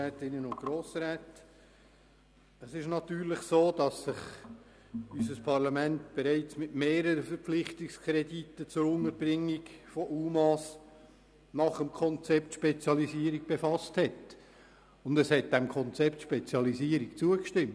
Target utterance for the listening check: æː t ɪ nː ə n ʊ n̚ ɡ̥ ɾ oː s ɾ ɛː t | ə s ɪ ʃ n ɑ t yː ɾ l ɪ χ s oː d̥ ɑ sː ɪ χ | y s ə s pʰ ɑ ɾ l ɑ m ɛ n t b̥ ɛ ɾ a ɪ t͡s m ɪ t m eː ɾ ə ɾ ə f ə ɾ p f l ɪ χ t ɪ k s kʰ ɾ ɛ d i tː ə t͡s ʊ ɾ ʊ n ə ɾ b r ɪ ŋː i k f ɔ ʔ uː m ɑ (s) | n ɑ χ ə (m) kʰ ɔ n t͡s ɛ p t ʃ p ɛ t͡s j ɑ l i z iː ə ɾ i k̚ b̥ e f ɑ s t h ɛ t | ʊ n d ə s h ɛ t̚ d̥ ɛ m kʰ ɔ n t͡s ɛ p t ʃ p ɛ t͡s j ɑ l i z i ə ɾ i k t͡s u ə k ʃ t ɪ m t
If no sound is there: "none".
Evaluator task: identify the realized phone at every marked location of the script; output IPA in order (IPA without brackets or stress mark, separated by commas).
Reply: s, m